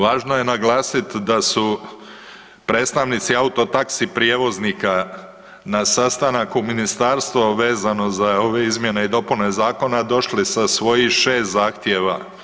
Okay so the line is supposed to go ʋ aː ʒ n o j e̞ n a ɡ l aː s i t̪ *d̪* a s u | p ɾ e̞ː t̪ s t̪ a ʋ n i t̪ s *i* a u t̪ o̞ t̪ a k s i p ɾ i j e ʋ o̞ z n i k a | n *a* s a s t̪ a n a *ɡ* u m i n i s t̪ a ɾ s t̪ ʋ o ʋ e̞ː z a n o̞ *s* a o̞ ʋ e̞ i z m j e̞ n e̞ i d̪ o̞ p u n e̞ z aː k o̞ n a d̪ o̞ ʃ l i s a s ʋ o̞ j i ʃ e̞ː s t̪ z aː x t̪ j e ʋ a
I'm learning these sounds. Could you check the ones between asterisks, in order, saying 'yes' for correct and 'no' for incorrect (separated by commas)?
yes, yes, yes, no, no